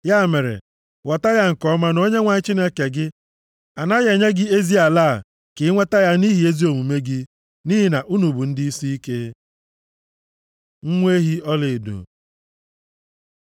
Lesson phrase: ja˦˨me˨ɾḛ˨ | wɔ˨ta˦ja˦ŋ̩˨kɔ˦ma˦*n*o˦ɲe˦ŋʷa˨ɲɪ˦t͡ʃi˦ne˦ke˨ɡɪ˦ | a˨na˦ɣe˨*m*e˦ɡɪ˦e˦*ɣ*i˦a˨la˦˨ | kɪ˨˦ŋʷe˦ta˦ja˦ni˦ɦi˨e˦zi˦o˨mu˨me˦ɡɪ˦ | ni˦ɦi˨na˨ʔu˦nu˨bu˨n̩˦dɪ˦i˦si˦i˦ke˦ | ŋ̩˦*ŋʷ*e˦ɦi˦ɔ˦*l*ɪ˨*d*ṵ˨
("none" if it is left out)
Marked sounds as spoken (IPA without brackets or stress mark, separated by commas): n, ɲ, z, ŋʷ, l, d